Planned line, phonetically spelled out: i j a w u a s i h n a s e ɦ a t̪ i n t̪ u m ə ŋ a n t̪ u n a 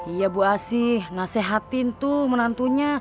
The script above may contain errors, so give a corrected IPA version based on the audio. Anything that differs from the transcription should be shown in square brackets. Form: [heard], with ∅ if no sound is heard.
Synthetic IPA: i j a [b] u a s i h n a s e ɦ a t̪ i n t̪ u m ə [n] a n t̪ u [ɲ] a